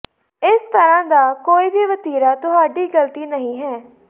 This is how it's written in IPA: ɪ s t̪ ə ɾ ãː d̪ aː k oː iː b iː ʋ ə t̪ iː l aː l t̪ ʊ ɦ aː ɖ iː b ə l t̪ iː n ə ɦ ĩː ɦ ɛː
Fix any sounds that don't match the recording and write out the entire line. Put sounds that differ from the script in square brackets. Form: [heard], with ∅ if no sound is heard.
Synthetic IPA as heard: ɪ s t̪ ə ɾ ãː d̪ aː k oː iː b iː ʋ ə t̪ iː [ɾ] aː [∅] t̪ ʊ ɦ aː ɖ iː [ɡ] ə l t̪ iː n ə ɦ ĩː ɦ ɛː